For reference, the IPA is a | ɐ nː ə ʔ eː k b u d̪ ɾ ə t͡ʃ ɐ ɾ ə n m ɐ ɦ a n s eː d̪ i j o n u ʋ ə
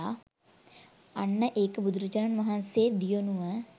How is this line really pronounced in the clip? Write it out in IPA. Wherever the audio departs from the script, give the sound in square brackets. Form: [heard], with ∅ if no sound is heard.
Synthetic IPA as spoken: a | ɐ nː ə ʔ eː k b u d̪ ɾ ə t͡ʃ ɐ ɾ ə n m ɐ ɦ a n s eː d̪ i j o n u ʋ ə